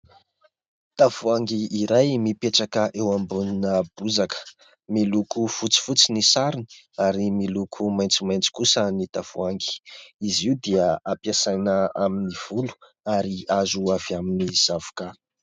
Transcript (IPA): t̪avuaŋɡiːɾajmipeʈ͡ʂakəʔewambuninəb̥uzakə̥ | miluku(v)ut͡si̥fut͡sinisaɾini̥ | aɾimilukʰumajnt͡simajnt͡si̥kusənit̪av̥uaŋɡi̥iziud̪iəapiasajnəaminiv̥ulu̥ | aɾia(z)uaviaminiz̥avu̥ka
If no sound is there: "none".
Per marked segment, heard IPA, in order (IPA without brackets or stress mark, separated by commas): f, z